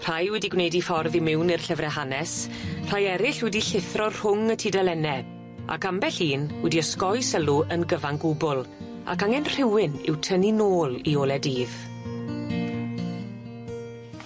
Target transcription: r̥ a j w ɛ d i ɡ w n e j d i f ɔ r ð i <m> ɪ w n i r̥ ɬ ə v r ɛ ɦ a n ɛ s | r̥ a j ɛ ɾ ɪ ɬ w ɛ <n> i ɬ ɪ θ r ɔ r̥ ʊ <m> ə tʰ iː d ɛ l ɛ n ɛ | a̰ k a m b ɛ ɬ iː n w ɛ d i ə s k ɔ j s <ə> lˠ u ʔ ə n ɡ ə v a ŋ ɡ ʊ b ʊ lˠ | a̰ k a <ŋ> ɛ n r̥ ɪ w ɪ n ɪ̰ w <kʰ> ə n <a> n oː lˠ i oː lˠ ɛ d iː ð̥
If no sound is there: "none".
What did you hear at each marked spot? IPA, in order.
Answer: m, d, ŋ, ə, ŋ, tʰ, i

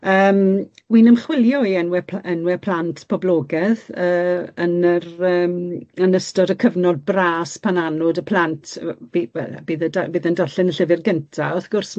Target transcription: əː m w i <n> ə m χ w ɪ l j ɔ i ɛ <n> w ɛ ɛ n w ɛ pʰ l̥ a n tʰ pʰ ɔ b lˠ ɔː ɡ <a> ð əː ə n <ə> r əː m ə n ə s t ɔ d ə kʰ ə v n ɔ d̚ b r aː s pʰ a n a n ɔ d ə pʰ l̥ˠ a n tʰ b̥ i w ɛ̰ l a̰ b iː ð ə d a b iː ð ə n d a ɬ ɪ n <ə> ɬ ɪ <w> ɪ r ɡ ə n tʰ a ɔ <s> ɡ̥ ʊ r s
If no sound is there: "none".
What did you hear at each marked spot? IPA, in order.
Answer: n, n, ɛ, ə, ə, v, θ

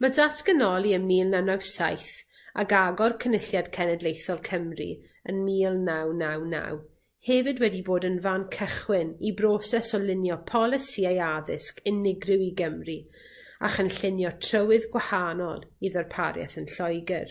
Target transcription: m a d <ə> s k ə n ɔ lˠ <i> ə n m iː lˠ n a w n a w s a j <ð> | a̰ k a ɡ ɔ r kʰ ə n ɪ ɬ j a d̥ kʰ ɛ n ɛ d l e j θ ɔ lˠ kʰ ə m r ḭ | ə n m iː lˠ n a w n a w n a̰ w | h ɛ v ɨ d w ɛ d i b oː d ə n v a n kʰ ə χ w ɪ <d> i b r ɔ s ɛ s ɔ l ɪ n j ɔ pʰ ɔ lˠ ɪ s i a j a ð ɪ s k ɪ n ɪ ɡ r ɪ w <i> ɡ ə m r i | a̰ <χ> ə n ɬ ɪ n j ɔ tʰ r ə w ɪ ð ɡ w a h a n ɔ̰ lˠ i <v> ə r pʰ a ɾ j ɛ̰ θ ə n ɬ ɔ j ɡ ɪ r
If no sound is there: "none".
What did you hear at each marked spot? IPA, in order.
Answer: a, i, θ, n, i, χ, ð

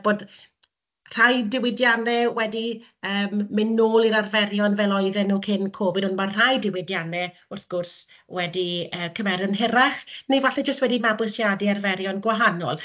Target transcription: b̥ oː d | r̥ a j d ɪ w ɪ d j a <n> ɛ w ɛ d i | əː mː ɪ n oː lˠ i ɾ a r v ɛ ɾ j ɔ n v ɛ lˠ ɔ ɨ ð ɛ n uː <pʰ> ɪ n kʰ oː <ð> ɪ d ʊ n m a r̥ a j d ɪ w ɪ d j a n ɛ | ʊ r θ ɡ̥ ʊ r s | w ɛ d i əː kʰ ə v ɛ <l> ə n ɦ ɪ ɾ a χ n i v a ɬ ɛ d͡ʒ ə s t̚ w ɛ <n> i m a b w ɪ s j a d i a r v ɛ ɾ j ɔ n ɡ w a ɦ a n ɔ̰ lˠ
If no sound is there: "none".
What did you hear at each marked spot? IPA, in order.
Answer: n, kʰ, v, ɾ, d

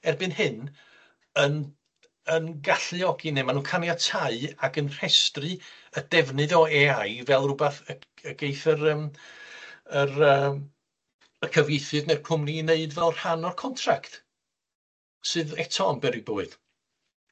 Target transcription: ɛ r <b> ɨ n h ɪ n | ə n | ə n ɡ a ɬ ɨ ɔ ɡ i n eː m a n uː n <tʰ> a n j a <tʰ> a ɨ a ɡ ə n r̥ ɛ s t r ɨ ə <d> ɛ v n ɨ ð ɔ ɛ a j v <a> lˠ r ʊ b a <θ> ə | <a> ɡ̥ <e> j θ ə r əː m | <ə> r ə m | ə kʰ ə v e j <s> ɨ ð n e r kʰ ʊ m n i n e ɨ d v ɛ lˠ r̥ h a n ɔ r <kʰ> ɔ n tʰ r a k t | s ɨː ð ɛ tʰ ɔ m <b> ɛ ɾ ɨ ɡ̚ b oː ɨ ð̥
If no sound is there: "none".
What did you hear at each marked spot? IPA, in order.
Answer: b, kʰ, tʰ, d, ɛ, θ, ə, e, ə, θ, kʰ, b

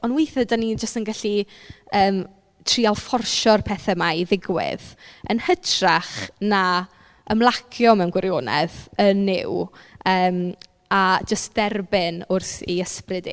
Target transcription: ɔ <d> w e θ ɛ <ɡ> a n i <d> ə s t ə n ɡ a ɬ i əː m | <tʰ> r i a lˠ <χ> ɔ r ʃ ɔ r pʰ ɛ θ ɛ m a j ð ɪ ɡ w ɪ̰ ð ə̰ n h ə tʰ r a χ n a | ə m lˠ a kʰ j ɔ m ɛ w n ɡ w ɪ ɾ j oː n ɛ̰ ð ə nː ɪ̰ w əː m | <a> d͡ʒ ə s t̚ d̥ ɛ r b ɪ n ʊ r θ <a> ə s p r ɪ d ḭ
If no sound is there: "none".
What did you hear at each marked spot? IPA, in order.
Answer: n, d, d͡ʒ, tʰ, f, a, i

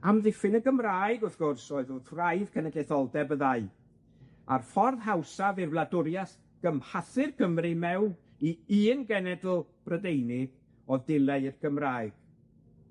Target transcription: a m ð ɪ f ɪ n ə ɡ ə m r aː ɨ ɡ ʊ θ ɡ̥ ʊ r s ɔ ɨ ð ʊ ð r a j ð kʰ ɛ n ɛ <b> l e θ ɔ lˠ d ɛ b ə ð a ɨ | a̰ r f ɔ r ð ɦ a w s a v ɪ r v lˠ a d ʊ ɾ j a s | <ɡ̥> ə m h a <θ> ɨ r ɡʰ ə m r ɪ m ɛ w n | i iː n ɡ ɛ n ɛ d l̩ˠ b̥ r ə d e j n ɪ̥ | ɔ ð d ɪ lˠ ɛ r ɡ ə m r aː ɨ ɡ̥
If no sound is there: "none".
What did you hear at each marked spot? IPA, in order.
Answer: d, ɡ̥, θ

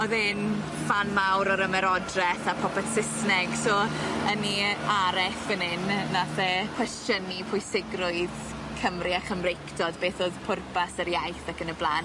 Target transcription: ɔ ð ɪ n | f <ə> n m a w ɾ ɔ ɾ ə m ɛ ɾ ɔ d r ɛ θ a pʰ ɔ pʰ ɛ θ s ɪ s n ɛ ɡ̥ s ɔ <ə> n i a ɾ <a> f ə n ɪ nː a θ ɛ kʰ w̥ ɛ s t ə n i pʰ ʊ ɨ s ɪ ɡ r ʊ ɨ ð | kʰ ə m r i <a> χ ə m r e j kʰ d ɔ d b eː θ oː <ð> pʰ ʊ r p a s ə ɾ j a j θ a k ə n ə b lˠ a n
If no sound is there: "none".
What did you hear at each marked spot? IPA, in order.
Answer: a, ə, ɛ, a, ð

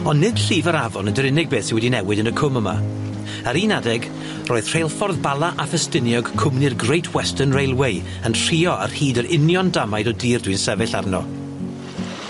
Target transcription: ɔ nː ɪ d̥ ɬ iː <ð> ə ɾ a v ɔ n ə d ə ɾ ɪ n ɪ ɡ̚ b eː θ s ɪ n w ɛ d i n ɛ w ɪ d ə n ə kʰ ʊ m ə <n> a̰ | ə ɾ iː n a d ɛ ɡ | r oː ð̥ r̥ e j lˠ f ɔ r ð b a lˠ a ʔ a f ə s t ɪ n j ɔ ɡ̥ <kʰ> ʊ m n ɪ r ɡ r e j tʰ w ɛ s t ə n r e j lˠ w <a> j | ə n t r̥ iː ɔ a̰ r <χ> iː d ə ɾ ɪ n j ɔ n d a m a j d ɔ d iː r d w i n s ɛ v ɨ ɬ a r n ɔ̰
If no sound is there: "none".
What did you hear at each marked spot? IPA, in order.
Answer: v, m, kʰ, e, h

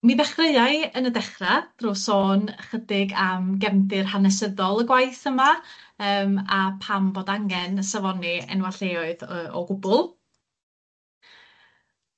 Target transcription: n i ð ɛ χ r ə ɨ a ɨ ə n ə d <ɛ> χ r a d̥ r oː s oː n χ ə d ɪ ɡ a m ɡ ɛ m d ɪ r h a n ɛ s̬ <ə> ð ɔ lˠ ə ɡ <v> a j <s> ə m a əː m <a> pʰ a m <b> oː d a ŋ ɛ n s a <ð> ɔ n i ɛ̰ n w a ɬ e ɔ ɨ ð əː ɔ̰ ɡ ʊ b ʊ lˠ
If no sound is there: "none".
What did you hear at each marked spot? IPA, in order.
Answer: ɛ, ə, w, θ, a, b, v

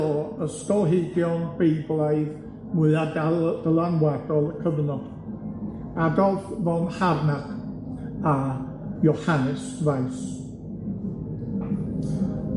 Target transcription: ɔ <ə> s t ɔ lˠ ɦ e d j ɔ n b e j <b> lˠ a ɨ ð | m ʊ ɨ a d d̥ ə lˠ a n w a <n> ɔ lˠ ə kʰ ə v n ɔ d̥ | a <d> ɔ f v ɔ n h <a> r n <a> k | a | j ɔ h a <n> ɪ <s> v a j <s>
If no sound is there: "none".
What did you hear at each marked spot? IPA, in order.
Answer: ə, b, d, d, a, a, n, s, s

